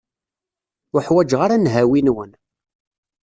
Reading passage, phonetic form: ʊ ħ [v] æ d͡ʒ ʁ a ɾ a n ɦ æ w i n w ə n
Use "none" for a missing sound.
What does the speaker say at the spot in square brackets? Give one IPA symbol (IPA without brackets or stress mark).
w